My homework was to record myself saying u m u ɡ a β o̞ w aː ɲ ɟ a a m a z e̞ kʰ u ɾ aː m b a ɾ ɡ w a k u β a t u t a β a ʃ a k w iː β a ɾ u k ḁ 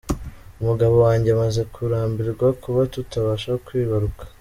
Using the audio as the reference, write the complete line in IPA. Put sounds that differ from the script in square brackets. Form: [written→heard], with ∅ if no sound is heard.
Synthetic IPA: u m u ɡ a β o̞ w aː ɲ ɟ [a→e] a m a z e̞ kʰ u ɾ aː m b [a→i] ɾ ɡ w a k u β a t u t a β a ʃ a k w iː β a ɾ u k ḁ

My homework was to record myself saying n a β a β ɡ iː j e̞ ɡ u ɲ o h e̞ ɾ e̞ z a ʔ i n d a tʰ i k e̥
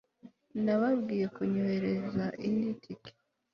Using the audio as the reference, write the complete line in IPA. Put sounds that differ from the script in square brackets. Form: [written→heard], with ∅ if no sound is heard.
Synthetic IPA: n a β a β ɡ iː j e̞ [ɡ→k] u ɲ o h e̞ ɾ e̞ z a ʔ i n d [a→i] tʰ i k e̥

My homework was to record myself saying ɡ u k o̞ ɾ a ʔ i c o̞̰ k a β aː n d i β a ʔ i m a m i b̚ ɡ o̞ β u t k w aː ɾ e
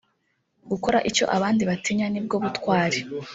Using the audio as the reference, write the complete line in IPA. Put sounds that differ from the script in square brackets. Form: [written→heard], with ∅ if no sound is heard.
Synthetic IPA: ɡ u k o̞ ɾ a ʔ i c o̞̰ [k→ʔ] a β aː n d i β a [ʔ→t] i [m→ɲ] a [m→n] i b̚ ɡ o̞ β u t k w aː ɾ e

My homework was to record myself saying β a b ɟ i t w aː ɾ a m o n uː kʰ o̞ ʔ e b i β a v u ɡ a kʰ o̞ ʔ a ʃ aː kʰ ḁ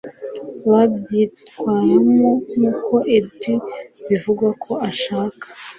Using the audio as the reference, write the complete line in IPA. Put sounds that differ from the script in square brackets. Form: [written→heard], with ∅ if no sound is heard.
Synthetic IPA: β a b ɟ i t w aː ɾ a m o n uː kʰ o̞ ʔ e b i β [a→i] v u ɡ a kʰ o̞ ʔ a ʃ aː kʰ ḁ

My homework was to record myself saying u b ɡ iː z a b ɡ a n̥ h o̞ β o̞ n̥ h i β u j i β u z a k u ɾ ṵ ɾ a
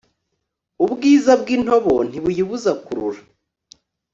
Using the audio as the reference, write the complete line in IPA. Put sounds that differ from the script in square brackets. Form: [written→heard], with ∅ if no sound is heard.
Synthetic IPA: u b ɡ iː z a b ɡ [a→i] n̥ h o̞ β o̞ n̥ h i β u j i β u z a k u ɾ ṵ ɾ a

